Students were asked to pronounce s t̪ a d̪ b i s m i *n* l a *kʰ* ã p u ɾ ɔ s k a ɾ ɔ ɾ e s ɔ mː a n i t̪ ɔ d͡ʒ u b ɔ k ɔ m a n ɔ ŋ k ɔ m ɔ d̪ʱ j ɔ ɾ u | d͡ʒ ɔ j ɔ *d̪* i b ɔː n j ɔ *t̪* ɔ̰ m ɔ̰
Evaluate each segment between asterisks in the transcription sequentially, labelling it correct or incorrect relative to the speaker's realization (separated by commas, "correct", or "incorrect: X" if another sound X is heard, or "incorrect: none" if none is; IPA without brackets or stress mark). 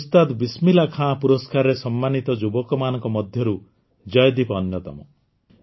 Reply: incorrect: none, correct, correct, correct